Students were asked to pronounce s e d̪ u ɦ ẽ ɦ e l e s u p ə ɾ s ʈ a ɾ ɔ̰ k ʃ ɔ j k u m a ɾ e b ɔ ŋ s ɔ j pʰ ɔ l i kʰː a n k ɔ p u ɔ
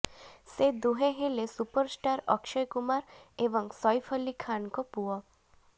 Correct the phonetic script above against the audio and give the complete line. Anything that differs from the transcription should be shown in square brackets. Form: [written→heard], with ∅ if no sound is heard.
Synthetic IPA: s e d̪ u ɦ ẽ ɦ e l e s u p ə ɾ s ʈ a ɾ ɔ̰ k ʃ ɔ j k u m a ɾ e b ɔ ŋ s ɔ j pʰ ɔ l i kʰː a n k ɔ p u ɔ